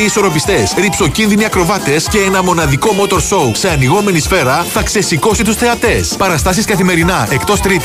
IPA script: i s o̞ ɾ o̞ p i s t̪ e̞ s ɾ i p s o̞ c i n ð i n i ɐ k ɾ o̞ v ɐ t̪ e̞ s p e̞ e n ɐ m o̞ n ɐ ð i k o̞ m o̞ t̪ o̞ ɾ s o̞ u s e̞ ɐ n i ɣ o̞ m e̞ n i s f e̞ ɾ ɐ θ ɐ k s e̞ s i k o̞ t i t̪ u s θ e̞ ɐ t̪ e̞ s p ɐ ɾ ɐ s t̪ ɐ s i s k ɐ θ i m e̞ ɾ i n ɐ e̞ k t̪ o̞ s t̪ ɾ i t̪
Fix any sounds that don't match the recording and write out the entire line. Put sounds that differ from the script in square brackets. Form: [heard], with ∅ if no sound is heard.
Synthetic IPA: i s o̞ ɾ o̞ p i s t̪ e̞ s ɾ i p s o̞ c i n ð i n i ɐ k ɾ o̞ v ɐ t̪ e̞ s [c] e̞ e n ɐ m o̞ n ɐ ð i k o̞ m o̞ t̪ o̞ ɾ s o̞ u s e̞ ɐ n i ɣ o̞ m e̞ n i s f e̞ ɾ ɐ θ ɐ k s e̞ s i k o̞ [s] i t̪ u s θ e̞ ɐ t̪ e̞ s p ɐ ɾ ɐ s t̪ ɐ s i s k ɐ θ i m e̞ ɾ i n ɐ e̞ k t̪ o̞ s t̪ ɾ i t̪